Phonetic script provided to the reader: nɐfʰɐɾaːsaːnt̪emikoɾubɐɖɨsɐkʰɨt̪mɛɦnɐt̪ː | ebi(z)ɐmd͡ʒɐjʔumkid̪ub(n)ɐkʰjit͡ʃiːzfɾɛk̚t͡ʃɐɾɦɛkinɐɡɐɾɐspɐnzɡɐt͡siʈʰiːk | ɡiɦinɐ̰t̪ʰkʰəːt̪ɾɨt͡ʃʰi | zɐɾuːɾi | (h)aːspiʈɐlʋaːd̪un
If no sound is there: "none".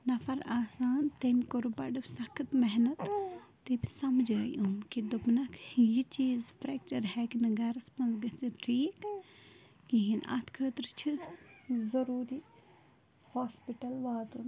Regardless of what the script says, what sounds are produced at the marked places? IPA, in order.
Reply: s, n, h

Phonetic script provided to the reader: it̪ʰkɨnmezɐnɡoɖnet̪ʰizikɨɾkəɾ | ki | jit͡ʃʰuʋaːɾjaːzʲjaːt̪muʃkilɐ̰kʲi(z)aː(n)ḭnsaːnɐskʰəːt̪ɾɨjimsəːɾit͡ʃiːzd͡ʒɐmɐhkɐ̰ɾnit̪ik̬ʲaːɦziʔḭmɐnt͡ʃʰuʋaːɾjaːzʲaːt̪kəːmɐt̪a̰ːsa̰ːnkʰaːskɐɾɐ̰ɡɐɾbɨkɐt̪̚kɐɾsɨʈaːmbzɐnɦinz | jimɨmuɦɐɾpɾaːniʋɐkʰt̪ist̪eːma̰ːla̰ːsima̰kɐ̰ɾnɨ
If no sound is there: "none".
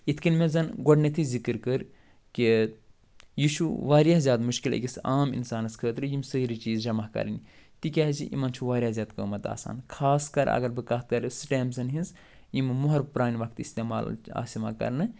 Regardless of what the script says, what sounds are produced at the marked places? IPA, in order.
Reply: s, m

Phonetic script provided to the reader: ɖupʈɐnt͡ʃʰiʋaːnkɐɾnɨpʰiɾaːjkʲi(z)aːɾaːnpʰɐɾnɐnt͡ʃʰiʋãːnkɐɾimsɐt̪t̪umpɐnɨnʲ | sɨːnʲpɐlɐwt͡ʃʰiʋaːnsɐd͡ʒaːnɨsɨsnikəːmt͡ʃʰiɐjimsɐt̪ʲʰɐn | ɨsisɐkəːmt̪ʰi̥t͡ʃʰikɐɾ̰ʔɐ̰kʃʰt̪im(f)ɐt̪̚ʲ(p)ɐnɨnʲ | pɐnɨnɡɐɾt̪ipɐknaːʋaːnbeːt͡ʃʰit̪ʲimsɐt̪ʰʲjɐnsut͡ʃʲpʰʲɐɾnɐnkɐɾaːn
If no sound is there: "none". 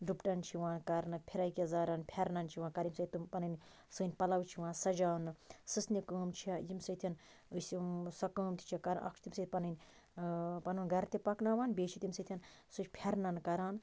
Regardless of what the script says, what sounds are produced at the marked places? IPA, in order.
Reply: z, s, p

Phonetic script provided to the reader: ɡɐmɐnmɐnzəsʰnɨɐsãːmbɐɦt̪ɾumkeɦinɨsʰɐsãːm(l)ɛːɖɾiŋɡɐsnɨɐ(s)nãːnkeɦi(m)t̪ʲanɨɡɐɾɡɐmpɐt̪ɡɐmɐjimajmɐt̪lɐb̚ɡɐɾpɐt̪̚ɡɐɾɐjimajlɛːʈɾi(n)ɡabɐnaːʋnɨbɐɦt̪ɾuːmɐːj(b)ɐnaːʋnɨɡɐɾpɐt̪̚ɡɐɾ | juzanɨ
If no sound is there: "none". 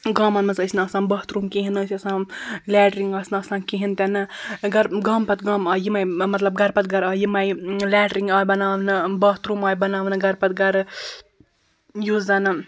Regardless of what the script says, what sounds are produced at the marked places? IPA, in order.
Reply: l, s, n, ŋ, b

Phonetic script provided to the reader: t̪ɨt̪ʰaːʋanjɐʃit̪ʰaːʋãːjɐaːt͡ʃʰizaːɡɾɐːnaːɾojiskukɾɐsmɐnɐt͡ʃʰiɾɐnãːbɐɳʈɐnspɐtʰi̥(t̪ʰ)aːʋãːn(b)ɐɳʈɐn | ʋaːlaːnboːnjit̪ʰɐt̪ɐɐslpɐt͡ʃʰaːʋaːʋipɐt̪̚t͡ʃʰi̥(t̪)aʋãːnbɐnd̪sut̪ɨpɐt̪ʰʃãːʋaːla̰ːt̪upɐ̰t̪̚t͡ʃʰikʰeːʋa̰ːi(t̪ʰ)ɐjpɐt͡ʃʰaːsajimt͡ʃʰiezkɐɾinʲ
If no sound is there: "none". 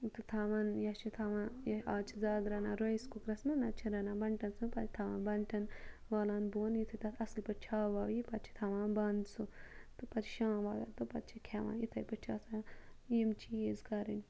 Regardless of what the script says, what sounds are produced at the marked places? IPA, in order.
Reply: t̪ʰ, b, t̪ʰ, t̪ʰ

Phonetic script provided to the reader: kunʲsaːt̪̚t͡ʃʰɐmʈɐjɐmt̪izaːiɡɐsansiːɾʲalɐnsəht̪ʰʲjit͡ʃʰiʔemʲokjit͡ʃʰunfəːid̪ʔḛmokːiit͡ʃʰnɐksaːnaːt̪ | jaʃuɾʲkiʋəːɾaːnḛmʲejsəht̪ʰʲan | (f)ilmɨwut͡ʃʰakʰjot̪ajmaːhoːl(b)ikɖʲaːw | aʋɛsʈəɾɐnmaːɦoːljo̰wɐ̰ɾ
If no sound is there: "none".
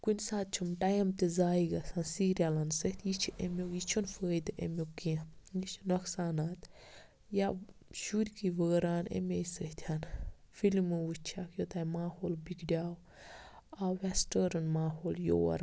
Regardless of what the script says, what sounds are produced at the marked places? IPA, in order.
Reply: f, b

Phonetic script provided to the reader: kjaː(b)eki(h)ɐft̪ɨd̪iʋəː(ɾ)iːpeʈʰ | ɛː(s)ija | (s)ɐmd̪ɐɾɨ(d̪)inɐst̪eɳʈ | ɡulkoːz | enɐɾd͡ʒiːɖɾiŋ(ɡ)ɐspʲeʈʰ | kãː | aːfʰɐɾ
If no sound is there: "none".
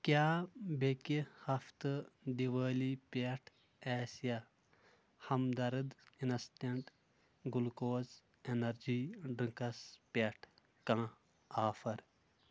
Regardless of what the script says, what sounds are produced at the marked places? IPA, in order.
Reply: b, h, l, s, h, d̪, k

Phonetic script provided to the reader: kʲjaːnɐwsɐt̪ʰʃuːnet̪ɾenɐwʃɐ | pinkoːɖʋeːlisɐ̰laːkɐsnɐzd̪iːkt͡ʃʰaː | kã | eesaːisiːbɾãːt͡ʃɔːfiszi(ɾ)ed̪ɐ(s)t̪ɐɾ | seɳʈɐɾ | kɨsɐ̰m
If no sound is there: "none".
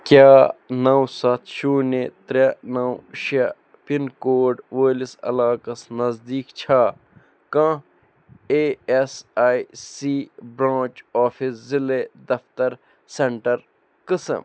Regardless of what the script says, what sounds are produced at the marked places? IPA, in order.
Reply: l, f

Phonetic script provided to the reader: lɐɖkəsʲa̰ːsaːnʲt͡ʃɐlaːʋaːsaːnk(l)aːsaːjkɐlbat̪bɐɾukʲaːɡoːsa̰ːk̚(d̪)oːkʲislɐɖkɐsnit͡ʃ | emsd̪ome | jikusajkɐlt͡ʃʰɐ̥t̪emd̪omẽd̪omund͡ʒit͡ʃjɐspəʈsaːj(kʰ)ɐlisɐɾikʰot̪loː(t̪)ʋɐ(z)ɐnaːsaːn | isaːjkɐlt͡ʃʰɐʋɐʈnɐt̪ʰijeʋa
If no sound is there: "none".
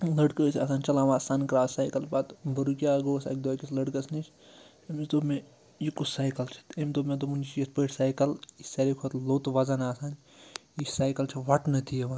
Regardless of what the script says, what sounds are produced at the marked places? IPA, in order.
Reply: ɾ, d̪, k, t̪, z

